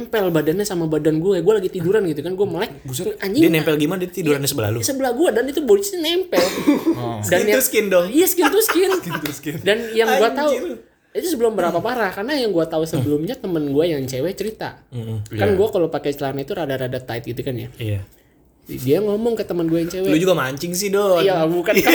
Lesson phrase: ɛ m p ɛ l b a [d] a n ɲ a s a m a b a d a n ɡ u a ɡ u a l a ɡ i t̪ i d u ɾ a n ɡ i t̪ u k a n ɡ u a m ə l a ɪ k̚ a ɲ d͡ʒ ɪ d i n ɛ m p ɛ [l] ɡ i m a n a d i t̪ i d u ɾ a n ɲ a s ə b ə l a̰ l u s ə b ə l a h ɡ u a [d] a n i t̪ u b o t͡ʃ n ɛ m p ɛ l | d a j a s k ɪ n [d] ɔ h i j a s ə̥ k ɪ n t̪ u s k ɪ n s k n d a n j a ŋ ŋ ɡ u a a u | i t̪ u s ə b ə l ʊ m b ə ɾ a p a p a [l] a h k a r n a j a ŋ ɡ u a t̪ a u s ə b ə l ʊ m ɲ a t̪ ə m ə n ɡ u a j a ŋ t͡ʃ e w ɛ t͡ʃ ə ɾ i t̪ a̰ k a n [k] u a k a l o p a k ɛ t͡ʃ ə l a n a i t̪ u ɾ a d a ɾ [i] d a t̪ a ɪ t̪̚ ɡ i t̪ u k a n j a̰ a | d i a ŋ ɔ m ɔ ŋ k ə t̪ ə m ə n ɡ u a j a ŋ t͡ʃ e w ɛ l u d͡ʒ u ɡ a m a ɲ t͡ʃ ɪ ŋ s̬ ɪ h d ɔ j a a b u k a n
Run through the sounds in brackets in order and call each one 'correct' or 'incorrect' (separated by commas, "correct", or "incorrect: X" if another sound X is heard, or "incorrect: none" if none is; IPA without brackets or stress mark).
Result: correct, correct, correct, correct, incorrect: ɾ, incorrect: ɡ, incorrect: a